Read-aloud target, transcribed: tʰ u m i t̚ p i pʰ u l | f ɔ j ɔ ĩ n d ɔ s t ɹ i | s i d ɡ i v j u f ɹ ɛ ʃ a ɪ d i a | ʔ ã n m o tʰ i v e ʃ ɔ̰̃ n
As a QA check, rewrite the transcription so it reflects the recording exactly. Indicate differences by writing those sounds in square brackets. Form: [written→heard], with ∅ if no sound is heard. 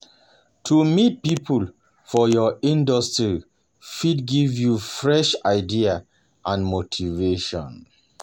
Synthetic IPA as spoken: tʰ u m i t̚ p i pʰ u l | f ɔ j ɔ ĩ n d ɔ s t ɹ i | [s→f] i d ɡ i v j u f ɹ ɛ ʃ a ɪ d i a | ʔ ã n m o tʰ i v e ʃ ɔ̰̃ n